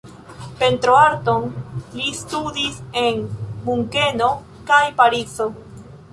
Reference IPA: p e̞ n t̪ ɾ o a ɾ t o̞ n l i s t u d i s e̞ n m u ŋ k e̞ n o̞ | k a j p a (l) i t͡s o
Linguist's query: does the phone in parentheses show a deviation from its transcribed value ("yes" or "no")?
yes